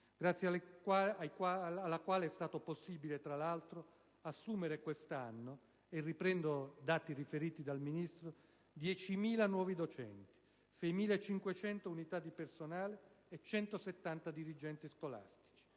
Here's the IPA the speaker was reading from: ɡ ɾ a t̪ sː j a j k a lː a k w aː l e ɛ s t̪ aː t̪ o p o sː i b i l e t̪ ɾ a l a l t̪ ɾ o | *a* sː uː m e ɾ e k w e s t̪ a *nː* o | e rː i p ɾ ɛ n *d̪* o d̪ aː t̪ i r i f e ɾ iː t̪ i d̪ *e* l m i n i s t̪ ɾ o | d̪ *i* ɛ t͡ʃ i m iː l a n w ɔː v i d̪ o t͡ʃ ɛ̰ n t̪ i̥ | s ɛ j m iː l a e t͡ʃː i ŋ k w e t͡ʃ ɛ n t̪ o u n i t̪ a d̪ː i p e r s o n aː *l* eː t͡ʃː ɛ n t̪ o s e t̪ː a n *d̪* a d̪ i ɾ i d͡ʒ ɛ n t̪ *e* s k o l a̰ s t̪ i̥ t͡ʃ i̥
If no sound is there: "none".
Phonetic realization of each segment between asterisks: a, nː, d̪, a, j, l, t̪, i

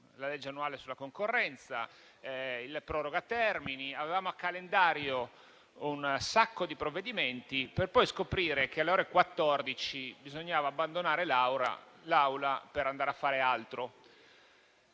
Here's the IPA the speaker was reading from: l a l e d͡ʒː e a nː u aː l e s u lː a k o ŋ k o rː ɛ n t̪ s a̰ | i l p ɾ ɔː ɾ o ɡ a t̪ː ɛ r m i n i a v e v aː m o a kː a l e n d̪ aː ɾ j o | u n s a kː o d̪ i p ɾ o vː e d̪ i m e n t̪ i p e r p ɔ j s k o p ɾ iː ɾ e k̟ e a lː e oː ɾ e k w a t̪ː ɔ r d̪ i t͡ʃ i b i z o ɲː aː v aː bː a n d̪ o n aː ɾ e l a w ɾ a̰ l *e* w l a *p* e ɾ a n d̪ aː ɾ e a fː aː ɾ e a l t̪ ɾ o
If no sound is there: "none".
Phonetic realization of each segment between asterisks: a, p

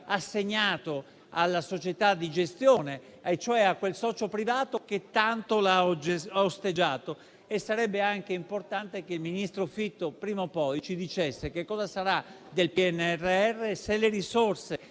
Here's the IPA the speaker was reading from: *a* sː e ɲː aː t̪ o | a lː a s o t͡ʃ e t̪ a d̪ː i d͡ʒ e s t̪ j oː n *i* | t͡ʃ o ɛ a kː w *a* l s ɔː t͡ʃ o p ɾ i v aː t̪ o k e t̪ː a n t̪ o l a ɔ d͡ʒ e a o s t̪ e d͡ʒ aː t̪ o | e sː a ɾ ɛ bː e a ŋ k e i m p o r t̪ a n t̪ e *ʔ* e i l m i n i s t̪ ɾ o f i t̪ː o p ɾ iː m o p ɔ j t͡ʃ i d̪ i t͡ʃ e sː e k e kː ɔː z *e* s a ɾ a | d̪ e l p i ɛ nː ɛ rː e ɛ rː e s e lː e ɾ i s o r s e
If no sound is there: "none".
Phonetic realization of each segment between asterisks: a, e, e, k, a

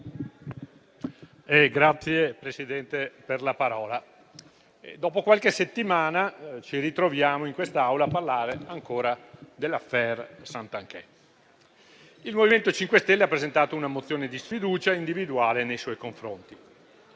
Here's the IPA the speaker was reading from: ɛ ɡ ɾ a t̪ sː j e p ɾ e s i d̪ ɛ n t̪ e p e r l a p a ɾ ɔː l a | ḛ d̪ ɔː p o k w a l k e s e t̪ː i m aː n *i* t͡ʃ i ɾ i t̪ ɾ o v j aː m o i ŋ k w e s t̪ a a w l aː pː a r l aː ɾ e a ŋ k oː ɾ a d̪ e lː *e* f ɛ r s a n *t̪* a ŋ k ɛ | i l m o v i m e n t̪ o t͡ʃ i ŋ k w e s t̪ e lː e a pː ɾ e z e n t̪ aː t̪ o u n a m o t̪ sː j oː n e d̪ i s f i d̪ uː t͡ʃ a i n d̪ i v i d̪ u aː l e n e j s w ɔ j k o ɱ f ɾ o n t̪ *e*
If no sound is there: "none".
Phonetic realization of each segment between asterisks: a, a, t̪, i

